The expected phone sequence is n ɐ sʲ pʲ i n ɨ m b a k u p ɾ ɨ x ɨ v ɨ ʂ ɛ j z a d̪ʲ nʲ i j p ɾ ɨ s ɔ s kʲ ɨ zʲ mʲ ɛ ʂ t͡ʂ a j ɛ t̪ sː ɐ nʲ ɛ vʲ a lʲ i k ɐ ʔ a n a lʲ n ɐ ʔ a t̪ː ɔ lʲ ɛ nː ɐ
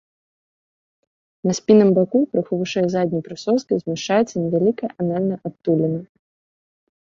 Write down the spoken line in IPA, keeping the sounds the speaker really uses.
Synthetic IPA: n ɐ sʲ pʲ i n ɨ m b a k u p ɾ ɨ x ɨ v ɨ ʂ ɛ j z a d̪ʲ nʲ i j p ɾ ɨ s ɔ s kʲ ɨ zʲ mʲ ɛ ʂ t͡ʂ a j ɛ t̪ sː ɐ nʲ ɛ vʲ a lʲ i k ɐ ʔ a n a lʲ n ɐ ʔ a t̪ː u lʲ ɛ n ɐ

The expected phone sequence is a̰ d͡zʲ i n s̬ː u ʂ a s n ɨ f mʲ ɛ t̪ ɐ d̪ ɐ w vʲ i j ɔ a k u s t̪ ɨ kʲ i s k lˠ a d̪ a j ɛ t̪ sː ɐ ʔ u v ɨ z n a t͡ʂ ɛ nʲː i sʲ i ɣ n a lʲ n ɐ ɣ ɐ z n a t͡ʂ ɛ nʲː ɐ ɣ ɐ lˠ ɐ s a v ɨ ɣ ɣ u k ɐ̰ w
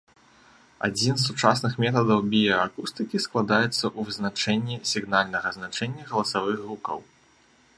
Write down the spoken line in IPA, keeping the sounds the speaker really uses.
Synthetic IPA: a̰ d͡zʲ i n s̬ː u t͡ʂ a s n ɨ x mʲ ɛ t̪ ɐ d̪ ɐ w bʲ i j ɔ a k u s t̪ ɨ kʲ i s k lˠ a d̪ a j ɛ t̪ sː ɐ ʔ u v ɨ z n a t͡ʂ ɛ nʲː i sʲ i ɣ n a lʲ n ɐ ɣ ɐ z n a t͡ʂ ɛ nʲː ɐ ɣ ɐ lˠ ɐ s a v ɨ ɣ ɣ u k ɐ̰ w

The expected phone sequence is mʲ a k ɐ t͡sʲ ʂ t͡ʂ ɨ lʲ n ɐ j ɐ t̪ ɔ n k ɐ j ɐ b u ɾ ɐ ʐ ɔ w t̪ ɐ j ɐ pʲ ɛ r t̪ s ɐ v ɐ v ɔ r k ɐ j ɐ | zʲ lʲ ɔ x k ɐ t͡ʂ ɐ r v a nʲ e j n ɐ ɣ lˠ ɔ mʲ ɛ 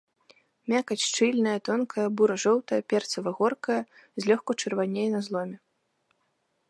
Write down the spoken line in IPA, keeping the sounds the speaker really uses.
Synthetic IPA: mʲ a k ɐ t͡sʲ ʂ t͡ʂ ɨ lʲ n ɐ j ɐ t̪ ɔ n k ɐ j ɐ b u ɾ ɐ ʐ ɔ w t̪ ɐ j ɐ pʲ ɛ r t̪ s ɐ v ɐ ɣ ɔ r k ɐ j ɐ | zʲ lʲ ɔ x k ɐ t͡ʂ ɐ r v a nʲ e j n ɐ z lˠ ɔ mʲ ɛ

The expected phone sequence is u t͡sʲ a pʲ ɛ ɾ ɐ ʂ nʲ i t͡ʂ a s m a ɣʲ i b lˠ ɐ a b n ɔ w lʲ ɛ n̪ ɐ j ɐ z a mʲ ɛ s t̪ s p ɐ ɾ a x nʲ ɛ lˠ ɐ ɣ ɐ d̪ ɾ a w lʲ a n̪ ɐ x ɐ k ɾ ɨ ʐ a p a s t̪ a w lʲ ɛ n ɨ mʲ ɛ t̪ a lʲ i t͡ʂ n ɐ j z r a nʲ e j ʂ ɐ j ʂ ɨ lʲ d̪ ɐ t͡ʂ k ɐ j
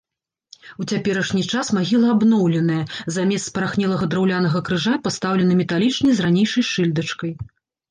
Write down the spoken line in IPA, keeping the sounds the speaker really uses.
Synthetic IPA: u t͡sʲ a pʲ ɛ ɾ ɐ ʂ nʲ i t͡ʂ a s m a ɣʲ i lˠ ɐ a b n ɔ w lʲ ɛ n̪ ɐ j ɐ z a mʲ ɛ s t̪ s p ɐ ɾ a x nʲ ɛ lˠ ɐ ɣ ɐ d̪ ɾ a w lʲ a n̪ ɐ ɣ ɐ k ɾ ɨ ʐ a p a s t̪ a w lʲ ɛ n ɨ mʲ ɛ t̪ a lʲ i t͡ʂ n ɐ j z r a nʲ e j ʂ ɐ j ʂ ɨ lʲ d̪ ɐ t͡ʂ k ɐ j

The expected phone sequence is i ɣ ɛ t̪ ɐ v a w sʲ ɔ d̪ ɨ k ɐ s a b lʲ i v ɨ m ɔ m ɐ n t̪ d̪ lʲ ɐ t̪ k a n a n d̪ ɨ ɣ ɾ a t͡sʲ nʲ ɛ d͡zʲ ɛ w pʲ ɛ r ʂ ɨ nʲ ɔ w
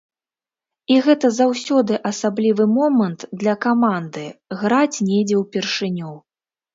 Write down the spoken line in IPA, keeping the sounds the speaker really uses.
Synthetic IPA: i ɣ ɛ t̪ ɐ z a w sʲ ɔ d̪ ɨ ʔ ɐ s a b lʲ i v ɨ m ɔ m ɐ n t̪ d̪ lʲ ɐ k a m a n d̪ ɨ ɣ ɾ a t͡sʲ nʲ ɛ d͡zʲ ɛ w pʲ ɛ r ʂ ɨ nʲ ɔ w

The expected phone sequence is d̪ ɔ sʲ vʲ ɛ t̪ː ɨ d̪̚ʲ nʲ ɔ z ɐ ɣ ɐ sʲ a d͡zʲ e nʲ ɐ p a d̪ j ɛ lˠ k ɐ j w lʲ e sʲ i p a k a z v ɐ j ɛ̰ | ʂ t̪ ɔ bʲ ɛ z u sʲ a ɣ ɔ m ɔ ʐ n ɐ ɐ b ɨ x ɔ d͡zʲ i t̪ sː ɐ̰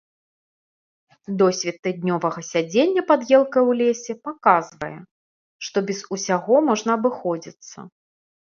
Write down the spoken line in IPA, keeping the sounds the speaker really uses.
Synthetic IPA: d̪ ɔ sʲ vʲ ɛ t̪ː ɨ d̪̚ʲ nʲ ɔ v ɐ ɣ ɐ sʲ a d͡zʲ e nʲː ɐ p a d̪ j ɛ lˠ k ɐ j w lʲ e sʲ ɛ p a k a z v ɐ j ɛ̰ | ʂ t̪ ɔ bʲ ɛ z u sʲ a ɣ ɔ m ɔ ʐ n ɐ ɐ b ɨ x ɔ d͡zʲ i t̪ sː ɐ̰

